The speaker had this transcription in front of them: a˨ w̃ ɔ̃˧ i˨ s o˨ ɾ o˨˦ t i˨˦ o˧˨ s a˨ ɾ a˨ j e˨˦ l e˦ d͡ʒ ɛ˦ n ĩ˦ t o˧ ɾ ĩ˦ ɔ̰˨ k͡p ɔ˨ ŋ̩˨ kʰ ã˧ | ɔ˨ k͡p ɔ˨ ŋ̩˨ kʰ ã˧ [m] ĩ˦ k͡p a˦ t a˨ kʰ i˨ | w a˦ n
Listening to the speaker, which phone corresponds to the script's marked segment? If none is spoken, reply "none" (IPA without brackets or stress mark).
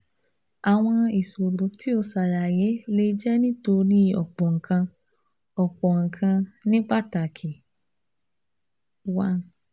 n